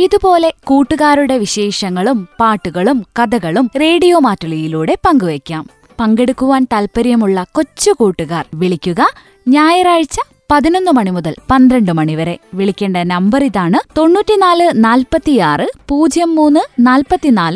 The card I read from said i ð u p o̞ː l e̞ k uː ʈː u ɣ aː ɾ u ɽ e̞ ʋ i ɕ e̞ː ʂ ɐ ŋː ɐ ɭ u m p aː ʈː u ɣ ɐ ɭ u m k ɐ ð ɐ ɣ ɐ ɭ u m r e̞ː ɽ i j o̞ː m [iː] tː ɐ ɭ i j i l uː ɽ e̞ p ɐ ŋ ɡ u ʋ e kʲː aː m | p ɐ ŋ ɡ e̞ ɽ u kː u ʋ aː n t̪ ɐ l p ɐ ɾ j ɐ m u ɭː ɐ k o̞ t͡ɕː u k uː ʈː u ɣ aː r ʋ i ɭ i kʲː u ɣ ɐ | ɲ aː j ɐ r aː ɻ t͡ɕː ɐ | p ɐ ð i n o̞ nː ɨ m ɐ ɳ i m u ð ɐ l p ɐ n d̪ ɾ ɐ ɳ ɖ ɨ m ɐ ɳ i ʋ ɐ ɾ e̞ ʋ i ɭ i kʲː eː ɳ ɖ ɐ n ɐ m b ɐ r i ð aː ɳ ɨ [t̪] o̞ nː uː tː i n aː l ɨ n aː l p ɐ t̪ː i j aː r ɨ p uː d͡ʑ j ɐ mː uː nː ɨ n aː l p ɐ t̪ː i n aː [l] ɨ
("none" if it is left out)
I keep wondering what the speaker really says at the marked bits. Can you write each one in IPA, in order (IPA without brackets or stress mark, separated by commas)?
aː, t̪, l